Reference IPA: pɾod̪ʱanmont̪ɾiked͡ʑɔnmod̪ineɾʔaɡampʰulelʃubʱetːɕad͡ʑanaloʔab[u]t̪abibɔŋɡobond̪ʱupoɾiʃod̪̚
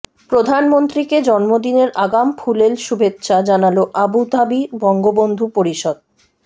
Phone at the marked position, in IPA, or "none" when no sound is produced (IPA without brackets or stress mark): u